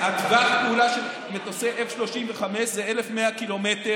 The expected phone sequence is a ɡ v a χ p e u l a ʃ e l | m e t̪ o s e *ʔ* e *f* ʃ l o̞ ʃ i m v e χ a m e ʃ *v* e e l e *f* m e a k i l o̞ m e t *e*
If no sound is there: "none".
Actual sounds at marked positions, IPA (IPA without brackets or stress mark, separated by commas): ʔ, f, z, f, e